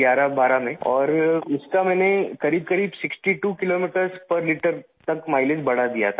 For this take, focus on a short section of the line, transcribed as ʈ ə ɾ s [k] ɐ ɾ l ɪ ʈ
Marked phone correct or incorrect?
incorrect